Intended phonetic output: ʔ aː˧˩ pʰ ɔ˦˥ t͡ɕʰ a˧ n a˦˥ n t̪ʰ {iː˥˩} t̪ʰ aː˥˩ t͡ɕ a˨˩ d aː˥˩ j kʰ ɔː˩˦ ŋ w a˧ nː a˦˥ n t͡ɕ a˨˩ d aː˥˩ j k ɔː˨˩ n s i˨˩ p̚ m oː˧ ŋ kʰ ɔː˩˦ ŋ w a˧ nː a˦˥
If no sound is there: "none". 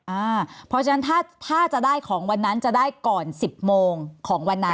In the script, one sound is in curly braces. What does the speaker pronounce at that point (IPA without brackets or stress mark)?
aː˥˩